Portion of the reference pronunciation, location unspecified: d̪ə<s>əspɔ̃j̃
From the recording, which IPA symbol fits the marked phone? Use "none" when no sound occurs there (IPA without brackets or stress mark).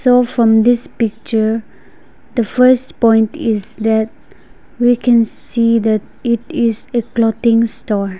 f